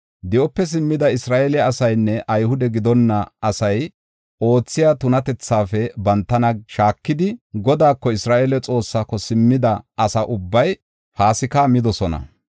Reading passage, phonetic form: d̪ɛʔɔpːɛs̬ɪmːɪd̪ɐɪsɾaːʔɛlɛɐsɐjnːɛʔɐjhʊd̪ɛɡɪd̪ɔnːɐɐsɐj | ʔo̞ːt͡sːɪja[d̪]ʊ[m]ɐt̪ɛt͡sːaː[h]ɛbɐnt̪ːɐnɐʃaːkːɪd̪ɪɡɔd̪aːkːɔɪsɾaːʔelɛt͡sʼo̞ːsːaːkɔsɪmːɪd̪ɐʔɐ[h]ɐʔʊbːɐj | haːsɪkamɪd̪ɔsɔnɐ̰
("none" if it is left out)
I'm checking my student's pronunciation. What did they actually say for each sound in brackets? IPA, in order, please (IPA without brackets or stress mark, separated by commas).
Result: t̪, n, f, s